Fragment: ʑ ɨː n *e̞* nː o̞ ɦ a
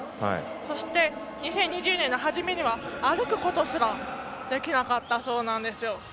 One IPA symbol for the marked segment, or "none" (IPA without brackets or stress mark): ẽ̞